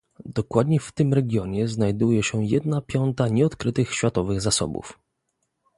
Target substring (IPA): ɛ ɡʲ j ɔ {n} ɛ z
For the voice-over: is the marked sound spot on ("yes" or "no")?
no